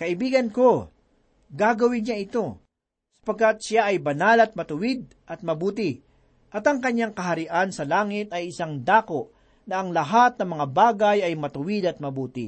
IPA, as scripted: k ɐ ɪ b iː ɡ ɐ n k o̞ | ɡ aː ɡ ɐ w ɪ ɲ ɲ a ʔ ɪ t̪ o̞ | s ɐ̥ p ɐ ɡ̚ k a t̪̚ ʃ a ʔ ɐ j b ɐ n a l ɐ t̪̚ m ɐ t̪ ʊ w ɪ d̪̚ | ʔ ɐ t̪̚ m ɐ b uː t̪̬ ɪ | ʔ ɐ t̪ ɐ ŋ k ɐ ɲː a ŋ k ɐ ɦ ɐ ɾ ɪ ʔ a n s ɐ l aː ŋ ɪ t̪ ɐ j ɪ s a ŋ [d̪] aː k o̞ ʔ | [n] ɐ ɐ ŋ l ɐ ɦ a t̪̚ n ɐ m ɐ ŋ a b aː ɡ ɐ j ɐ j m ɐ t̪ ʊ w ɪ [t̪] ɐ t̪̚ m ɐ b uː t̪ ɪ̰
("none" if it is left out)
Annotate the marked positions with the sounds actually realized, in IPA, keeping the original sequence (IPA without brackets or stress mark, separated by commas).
d̪, n, d̪